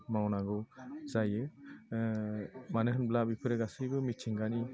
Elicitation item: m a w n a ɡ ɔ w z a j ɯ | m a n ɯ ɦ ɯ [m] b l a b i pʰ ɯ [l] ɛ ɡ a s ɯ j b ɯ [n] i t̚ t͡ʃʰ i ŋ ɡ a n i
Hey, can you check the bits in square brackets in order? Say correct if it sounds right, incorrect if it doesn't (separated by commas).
incorrect, incorrect, incorrect